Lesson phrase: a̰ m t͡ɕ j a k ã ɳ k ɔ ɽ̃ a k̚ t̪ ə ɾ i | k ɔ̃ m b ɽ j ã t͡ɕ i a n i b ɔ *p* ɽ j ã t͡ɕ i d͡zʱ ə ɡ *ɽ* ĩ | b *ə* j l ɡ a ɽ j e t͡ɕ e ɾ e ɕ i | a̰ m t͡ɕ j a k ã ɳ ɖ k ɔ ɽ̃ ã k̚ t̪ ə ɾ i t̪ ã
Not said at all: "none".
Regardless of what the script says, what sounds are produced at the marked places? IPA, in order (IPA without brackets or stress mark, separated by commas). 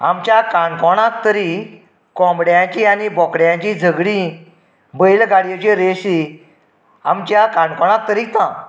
k, ɽ, ə